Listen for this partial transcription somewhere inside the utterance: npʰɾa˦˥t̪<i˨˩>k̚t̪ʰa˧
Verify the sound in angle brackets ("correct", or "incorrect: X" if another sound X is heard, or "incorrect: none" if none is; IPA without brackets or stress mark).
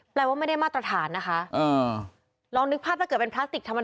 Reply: correct